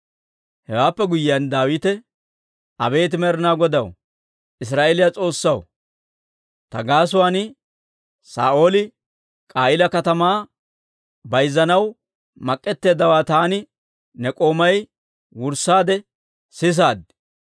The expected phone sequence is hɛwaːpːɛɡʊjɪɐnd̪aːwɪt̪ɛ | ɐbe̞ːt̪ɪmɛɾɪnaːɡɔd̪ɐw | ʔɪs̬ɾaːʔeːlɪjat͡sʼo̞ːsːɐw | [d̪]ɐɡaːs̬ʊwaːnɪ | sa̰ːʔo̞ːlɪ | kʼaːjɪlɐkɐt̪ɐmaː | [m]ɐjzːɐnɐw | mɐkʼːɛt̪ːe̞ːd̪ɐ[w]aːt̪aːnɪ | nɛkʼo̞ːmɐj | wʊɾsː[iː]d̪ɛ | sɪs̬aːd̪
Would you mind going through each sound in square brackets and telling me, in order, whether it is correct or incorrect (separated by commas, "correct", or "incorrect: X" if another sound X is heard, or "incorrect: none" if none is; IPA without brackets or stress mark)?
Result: incorrect: t̪, incorrect: b, correct, incorrect: aː